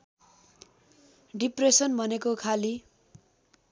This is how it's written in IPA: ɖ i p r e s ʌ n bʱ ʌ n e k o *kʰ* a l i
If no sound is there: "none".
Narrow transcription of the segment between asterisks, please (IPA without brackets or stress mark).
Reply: kʰ